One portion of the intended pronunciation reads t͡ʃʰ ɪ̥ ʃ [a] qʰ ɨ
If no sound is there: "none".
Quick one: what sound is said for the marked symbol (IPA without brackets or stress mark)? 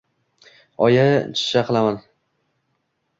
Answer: a